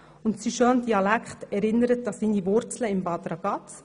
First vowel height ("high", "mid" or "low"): high